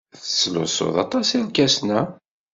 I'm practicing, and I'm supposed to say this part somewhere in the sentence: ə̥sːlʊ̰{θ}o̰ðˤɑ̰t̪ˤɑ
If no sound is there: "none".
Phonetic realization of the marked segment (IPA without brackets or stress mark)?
s